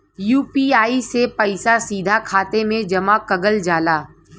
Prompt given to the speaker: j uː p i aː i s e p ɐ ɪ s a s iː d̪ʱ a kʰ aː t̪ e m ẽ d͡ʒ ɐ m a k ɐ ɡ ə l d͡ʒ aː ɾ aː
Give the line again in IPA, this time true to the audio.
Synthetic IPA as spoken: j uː p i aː i s e p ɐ ɪ s a s iː d̪ʱ a kʰ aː t̪ e m ẽ d͡ʒ ɐ m a k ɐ ɡ ə l d͡ʒ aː l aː